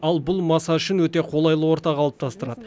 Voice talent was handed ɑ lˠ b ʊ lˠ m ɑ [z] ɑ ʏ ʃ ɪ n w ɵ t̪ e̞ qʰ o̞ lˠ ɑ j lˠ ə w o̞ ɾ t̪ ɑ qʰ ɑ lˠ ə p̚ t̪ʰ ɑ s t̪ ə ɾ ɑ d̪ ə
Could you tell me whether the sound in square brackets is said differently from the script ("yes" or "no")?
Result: yes